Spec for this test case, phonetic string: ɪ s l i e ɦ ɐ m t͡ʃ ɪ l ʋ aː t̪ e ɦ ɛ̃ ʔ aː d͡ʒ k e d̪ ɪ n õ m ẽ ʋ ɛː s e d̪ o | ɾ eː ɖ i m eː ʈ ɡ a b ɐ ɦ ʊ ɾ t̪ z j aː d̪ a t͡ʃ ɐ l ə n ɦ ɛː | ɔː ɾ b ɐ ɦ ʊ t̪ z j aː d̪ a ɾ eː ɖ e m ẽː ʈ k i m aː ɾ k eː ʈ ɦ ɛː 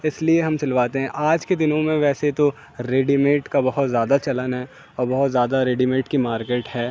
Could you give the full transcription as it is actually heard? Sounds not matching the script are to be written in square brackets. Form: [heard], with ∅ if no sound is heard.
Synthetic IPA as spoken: ɪ s l i e ɦ ɐ m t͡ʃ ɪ l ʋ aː t̪ e ɦ ɛ̃ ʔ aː d͡ʒ k e d̪ ɪ n õ m ẽ ʋ ɛː s e [t̪] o | ɾ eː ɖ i m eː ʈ [k] a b ɐ ɦ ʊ [∅] t̪ z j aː d̪ a t͡ʃ ɐ l ə n ɦ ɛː | ɔː ɾ b ɐ ɦ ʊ t̪ z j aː d̪ a ɾ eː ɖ [i] m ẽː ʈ k i m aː ɾ k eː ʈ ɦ ɛː